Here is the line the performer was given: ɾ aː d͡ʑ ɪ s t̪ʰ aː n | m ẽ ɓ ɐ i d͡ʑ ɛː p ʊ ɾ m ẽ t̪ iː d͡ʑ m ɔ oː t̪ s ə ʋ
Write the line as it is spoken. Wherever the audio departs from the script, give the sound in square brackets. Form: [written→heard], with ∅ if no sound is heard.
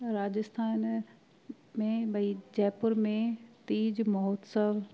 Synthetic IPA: ɾ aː d͡ʑ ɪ s t̪ʰ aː n | m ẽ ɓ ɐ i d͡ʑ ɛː p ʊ ɾ m ẽ t̪ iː d͡ʑ m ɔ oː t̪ s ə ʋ